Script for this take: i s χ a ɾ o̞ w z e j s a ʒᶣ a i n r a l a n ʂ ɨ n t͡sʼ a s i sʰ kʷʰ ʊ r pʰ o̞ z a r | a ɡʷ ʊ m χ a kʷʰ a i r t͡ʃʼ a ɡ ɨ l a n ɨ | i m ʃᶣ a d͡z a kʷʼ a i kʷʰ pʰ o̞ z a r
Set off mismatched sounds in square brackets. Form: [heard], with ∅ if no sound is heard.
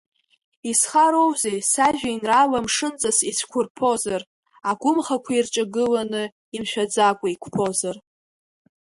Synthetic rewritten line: i s χ a ɾ o̞ w z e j s a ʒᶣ a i n r a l a [m] ʂ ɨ n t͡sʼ a s i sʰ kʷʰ ʊ r pʰ o̞ z a r | a ɡʷ ʊ m χ a kʷʰ a i r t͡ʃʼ a ɡ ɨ l a n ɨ | i m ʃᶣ a d͡z a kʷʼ a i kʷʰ pʰ o̞ z a r